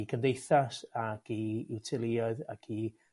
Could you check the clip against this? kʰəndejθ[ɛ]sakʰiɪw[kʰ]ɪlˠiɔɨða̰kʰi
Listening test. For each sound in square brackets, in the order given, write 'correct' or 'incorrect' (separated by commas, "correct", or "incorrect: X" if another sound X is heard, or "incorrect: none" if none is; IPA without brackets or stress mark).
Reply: incorrect: a, incorrect: tʰ